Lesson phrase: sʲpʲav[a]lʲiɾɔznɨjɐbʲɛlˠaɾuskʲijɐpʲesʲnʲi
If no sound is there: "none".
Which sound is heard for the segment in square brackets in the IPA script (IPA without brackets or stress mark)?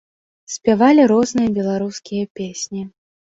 a